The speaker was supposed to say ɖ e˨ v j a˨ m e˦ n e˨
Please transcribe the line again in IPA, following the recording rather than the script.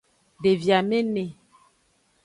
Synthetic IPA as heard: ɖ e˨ v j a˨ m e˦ n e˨